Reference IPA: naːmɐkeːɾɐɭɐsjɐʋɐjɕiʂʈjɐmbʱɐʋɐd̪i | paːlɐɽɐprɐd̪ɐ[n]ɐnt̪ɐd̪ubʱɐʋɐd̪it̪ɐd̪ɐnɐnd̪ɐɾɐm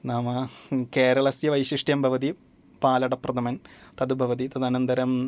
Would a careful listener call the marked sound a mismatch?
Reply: yes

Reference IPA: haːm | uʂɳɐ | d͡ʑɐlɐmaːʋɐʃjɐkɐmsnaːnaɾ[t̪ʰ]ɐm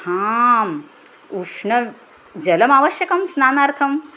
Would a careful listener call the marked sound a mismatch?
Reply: no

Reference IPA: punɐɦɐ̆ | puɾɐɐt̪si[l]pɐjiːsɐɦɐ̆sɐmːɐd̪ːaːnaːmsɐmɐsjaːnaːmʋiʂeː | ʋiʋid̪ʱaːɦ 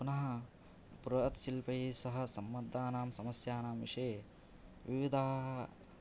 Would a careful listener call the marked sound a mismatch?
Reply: no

